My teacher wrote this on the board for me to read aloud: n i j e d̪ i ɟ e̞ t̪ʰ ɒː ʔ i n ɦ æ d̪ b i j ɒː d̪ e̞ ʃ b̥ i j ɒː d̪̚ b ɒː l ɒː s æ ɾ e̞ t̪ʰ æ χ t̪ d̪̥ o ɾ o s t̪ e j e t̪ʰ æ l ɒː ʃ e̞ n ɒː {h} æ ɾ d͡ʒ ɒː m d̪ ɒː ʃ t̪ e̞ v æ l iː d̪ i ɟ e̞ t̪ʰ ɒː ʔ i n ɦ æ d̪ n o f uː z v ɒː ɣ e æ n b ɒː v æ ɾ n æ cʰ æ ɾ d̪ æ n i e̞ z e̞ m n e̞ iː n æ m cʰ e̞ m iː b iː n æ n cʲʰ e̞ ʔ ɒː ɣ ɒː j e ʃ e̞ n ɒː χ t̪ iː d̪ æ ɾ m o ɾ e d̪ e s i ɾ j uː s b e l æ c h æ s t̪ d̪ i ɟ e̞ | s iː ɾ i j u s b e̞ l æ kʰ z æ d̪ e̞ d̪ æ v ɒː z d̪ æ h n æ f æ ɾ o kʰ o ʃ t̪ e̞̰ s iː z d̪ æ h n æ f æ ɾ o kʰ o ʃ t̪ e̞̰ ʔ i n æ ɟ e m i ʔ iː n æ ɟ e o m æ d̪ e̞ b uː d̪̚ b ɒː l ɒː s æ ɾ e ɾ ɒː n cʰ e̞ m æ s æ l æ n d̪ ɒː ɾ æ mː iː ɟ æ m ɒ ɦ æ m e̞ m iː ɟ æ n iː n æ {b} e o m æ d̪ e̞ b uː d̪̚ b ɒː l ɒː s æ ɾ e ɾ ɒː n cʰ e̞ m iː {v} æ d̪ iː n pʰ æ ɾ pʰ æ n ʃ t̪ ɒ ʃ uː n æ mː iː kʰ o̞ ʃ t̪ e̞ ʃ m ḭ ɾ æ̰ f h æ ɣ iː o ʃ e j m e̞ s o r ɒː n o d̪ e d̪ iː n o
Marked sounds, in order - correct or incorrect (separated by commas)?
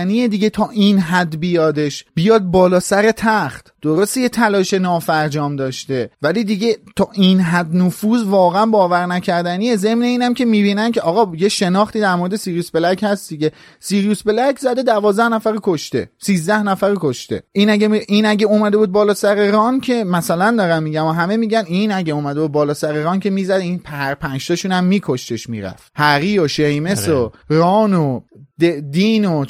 incorrect, incorrect, incorrect